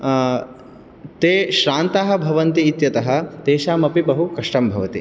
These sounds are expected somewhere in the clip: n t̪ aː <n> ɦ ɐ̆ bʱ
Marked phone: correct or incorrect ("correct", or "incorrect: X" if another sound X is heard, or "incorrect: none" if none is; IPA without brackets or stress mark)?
incorrect: none